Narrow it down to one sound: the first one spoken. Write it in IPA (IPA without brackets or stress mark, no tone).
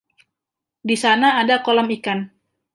d